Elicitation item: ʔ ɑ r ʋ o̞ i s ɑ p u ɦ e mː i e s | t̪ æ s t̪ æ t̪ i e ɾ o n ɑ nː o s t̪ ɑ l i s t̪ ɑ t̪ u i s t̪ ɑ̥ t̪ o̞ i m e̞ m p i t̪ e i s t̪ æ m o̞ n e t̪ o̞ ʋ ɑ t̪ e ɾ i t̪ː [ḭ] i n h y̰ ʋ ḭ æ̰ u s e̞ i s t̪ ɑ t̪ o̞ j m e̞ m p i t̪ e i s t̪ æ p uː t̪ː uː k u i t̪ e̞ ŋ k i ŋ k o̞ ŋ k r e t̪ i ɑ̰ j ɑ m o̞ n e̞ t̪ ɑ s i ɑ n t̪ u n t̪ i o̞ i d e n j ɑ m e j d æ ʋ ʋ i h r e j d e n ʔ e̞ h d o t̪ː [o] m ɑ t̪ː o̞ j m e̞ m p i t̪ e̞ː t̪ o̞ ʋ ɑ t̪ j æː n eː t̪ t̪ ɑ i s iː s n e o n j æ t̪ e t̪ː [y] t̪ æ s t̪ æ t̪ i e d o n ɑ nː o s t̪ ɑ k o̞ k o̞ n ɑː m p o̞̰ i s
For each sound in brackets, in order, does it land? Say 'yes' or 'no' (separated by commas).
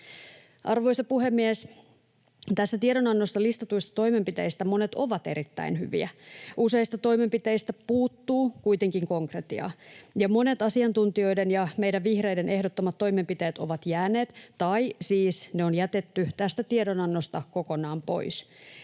no, yes, yes